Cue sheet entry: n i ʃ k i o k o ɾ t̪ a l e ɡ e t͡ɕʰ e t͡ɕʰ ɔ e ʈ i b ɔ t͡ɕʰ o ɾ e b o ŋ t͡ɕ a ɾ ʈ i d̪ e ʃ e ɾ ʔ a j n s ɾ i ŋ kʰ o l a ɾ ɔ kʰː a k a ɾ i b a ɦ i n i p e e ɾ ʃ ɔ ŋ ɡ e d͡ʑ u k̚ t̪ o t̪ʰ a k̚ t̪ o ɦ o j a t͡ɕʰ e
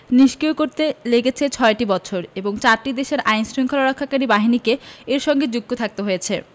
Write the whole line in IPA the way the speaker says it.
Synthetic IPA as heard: n i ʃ k i o k o ɾ t̪ e l e ɡ e t͡ɕʰ e t͡ɕʰ ɔ e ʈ i b ɔ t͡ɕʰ o ɾ e b o ŋ t͡ɕ a ɾ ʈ i d̪ e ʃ e ɾ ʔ a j n s ɾ i ŋ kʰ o l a ɾ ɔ kʰː a k a ɾ i b a ɦ i n i k e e ɾ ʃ ɔ ŋ ɡ e d͡ʑ u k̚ t̪ o t̪ʰ a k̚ t̪ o ɦ o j e t͡ɕʰ e